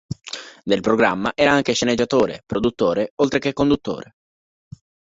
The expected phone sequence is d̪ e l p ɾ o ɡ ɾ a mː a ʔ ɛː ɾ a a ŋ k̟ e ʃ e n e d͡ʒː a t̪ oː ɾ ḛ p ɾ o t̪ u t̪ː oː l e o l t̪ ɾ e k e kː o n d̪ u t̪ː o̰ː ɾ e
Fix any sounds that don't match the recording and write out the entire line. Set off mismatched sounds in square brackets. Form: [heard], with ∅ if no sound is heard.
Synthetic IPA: d̪ e l p ɾ o ɡ ɾ a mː a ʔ ɛː ɾ a a ŋ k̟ e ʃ e n e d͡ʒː a t̪ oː ɾ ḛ p ɾ o [d̪] u t̪ː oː [ɾ] e o l t̪ ɾ e k e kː o n d̪ u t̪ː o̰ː ɾ e